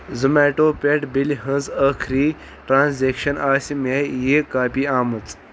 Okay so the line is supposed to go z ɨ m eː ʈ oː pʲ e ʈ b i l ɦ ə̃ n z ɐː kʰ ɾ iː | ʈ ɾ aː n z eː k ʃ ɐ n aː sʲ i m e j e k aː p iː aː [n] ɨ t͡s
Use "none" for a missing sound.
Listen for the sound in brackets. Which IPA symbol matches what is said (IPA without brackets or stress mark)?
m